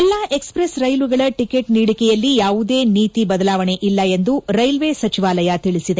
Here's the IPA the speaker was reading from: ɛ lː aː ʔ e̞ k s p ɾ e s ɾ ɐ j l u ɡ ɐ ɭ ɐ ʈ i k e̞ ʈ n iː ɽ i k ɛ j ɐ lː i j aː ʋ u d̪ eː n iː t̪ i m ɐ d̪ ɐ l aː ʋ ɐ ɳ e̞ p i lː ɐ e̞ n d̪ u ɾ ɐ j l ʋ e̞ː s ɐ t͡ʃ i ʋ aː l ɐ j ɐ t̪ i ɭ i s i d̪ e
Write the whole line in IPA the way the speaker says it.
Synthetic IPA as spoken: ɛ lː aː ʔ e̞ k s p ɾ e s ɾ ɐ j l u ɡ ɐ ɭ ɐ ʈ i k e̞ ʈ n iː ɽ i k ɛ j ɐ lː i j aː ʋ u d̪ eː n iː t̪ i b ɐ d̪ ɐ l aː ʋ ɐ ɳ e̞ ʔ i lː ɐ e̞ n d̪ u ɾ ɐ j l ʋ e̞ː s ɐ t͡ʃ i ʋ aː l ɐ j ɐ t̪ i ɭ i s i d̪ e